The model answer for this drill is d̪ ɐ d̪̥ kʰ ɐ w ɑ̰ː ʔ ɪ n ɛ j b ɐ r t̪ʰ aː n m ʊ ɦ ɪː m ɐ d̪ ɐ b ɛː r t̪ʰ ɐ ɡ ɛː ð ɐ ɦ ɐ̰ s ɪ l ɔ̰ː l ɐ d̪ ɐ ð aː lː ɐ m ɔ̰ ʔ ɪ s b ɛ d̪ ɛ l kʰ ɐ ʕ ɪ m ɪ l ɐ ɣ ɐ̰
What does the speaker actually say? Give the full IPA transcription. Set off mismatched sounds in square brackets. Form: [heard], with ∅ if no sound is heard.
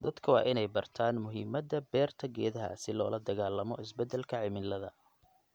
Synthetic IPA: d̪ ɐ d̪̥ kʰ ɐ w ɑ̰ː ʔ ɪ n ɛ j b ɐ r t̪ʰ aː n m ʊ ɦ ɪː m ɐ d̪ ɐ b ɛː r t̪ʰ ɐ ɡ ɛː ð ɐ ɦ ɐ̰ s ɪ l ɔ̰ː l ɐ d̪ ɐ [ɣ] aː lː ɐ m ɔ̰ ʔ ɪ s b ɛ d̪ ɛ l kʰ ɐ ʕ ɪ m ɪ l ɐ [ð] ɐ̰